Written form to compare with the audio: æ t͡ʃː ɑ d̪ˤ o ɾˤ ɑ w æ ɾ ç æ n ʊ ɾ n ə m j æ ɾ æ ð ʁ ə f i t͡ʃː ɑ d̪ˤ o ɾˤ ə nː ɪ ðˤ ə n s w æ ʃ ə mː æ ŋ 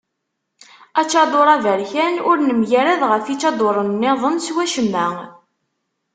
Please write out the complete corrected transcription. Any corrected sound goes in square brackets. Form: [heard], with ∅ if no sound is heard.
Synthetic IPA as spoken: æ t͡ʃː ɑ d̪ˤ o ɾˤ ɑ [v] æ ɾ ç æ n ʊ ɾ n ə m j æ ɾ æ ð ʁ ə f i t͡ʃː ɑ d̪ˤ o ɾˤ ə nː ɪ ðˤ ə n s w æ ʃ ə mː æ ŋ